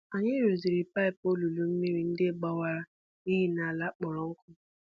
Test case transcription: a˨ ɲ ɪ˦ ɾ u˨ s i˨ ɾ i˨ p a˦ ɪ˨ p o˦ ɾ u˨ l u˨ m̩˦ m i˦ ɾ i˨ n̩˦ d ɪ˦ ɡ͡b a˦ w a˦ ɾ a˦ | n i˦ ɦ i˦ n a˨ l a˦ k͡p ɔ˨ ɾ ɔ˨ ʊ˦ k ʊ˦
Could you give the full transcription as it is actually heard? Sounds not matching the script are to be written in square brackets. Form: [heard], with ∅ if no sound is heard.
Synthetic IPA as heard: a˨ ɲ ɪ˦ ɾ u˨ [z] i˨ ɾ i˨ p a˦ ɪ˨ p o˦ [l] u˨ l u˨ m̩˦ m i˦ ɾ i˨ n̩˦ d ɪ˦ ɡ͡b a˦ w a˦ ɾ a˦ | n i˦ ɦ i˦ n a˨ l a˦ k͡p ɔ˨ ɾ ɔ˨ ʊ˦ k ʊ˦